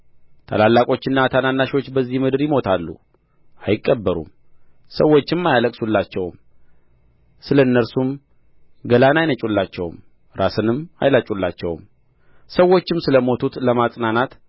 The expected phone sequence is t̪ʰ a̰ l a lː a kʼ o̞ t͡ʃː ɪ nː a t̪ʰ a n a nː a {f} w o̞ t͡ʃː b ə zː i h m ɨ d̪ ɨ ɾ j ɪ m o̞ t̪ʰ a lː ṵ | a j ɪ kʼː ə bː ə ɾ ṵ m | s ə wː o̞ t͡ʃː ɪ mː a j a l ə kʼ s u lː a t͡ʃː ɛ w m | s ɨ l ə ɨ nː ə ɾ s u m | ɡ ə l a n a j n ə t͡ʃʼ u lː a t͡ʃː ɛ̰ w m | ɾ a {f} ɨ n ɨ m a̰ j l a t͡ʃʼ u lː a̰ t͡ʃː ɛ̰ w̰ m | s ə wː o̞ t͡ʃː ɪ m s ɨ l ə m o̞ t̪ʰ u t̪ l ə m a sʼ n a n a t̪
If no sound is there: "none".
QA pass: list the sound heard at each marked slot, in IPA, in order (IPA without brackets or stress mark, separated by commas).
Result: ʃ, s